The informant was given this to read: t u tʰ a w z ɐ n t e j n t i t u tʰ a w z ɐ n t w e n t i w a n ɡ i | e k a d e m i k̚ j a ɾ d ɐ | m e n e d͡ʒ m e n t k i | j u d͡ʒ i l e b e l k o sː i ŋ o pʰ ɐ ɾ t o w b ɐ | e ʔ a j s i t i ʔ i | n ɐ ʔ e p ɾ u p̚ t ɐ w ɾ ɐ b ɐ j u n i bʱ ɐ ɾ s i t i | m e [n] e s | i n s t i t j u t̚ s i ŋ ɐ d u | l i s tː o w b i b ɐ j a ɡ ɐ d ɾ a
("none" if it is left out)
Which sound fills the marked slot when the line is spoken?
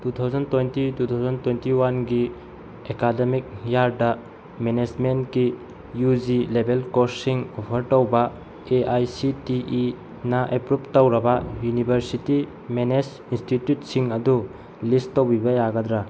n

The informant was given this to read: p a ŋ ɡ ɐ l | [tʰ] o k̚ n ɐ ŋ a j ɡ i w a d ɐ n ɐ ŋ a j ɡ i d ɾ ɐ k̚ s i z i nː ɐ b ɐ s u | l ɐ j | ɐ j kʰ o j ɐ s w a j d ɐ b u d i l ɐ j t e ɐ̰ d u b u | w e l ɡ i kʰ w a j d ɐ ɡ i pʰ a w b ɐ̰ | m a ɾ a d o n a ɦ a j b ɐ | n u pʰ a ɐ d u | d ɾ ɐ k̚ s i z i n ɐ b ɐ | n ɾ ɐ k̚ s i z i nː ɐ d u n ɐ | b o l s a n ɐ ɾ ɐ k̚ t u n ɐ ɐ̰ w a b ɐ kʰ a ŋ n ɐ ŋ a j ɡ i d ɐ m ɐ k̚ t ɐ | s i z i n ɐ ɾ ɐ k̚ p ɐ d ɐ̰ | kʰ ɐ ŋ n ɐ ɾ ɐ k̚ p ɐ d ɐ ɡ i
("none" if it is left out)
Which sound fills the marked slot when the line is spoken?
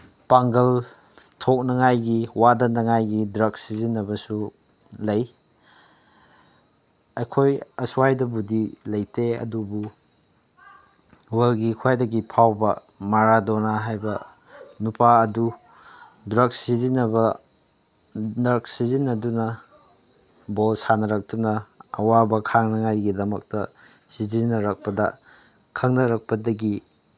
tʰ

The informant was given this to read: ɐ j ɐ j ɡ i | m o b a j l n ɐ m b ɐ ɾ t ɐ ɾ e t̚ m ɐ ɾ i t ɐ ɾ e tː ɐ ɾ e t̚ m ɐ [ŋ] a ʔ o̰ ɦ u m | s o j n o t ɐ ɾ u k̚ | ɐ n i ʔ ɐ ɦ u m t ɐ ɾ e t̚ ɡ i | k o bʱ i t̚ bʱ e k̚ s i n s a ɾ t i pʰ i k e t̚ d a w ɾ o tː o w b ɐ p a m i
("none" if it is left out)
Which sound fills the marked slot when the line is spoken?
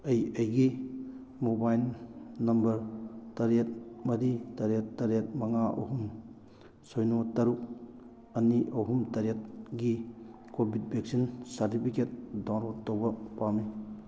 ŋ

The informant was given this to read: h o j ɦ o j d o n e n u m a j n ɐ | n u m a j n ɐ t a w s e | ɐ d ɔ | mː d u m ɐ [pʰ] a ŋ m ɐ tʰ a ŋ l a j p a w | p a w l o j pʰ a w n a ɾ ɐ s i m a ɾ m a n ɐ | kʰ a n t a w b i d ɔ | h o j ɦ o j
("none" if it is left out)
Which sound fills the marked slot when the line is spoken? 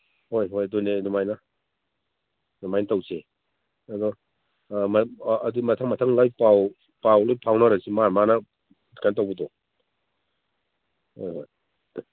tʰ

